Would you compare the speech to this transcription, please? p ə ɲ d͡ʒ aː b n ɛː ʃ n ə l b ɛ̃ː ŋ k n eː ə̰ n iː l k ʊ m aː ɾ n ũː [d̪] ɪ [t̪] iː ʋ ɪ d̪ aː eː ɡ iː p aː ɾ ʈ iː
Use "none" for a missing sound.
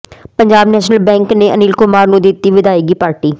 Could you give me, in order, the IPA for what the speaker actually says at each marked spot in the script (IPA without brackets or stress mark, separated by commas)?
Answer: d̪, t̪